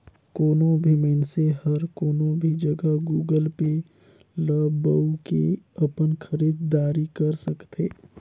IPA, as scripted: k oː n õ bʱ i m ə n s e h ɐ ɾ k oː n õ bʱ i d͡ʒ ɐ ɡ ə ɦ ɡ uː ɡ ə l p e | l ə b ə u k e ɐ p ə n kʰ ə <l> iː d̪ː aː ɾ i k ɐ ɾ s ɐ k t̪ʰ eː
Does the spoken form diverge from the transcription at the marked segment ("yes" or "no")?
yes